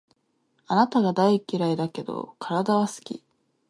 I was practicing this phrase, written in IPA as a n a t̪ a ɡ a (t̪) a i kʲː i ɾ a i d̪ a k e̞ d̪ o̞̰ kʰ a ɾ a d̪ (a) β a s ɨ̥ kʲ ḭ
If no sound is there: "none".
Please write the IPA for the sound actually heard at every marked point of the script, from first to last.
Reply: d̪, a

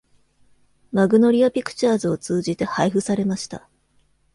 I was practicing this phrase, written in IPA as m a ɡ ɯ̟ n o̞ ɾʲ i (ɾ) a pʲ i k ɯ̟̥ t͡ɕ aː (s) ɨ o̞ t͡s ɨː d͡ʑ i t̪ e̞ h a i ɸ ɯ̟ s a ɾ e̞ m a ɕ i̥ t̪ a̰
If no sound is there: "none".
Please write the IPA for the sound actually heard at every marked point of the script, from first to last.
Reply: none, z

